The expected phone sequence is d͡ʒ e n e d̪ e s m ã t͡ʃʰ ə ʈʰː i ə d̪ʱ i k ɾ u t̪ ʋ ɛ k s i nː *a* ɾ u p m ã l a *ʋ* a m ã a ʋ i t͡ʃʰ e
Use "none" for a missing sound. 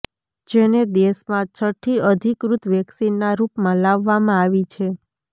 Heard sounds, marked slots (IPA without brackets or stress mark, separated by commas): a, ʋː